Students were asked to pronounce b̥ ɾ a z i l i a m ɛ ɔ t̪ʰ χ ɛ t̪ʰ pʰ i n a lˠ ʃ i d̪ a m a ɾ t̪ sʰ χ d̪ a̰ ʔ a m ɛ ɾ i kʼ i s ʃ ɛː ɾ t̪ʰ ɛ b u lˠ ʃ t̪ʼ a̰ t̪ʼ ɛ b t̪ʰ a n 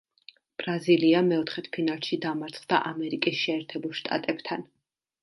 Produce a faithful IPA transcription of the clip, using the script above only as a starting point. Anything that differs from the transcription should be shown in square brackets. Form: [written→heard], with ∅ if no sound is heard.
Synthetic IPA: b̥ ɾ a z i l i a m ɛ ɔ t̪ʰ χ ɛ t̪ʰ pʰ i n a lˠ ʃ i d̪ a m a ɾ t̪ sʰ χ d̪ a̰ ʔ a m ɛ ɾ i kʼ i s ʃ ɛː ɾ t̪ʰ ɛ b u lˠ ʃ t̪ʼ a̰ t̪ʼ ɛ b t̪ʰ a n

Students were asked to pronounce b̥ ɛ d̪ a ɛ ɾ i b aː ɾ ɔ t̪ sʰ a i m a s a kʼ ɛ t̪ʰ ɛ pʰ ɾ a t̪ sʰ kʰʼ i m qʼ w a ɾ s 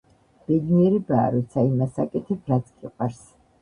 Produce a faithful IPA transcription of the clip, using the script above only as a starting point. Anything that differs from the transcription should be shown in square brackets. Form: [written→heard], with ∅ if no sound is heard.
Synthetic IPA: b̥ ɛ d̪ [a→i] ɛ ɾ i b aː ɾ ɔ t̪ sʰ a i m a s a kʼ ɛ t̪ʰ ɛ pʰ ɾ a t̪ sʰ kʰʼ i [m→∅] qʼ w a ɾ s

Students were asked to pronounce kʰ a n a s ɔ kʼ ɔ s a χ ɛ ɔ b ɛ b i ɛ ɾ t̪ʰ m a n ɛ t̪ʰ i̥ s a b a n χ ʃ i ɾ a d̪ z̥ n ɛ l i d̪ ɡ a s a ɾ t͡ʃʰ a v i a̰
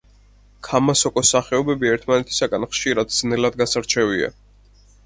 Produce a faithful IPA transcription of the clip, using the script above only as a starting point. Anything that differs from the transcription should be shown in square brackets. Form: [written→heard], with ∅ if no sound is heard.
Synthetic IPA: kʰ a [n→m] a s ɔ kʼ ɔ s a χ ɛ ɔ b ɛ b i ɛ ɾ t̪ʰ m a n ɛ t̪ʰ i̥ s a [b→ɡ] a n χ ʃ i ɾ a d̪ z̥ n ɛ l [i→a] d̪ ɡ a s a ɾ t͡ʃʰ [a→ɛ] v i a̰

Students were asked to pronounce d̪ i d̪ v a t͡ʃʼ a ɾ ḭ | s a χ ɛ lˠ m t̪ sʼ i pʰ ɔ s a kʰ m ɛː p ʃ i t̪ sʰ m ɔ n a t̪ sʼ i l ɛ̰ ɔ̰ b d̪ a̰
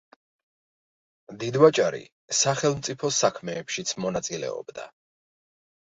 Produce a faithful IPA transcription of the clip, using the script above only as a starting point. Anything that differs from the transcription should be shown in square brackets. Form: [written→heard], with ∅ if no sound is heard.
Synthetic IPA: d̪ i d̪ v a t͡ʃʼ a ɾ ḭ | s a χ ɛ lˠ m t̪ sʼ i pʰ ɔ s a kʰ m ɛː p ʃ i t̪ sʰ m ɔ n a t̪ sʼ i l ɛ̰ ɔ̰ b d̪ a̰

